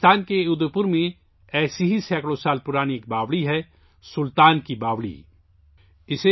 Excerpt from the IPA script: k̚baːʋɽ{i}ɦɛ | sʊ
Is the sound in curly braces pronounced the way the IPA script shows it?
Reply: yes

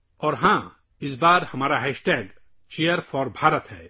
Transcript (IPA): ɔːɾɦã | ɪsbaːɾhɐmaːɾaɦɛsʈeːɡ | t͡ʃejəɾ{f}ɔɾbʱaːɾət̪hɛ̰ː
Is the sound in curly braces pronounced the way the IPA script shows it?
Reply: yes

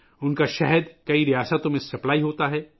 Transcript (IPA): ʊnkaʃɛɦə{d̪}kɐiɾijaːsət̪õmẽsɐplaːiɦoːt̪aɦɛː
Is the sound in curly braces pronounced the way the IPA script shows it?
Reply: yes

